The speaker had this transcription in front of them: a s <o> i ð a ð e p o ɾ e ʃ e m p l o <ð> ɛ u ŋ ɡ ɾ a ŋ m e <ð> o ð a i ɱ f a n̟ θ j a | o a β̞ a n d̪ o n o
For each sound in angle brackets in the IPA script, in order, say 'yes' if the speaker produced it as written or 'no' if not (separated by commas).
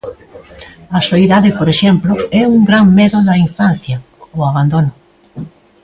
yes, no, yes